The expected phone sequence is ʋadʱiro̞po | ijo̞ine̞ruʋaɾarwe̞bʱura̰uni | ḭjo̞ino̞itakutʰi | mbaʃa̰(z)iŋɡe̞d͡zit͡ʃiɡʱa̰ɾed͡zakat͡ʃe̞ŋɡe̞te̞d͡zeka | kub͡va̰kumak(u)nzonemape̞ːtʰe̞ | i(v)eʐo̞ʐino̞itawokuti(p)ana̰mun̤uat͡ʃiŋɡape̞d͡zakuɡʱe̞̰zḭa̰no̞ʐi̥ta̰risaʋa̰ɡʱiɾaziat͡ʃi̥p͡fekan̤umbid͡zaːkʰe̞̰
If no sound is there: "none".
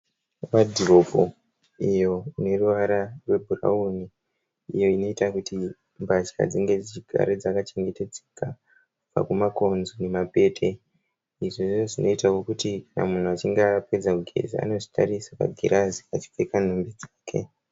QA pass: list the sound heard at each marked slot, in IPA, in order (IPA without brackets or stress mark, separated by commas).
d͡z, o, ʐ, k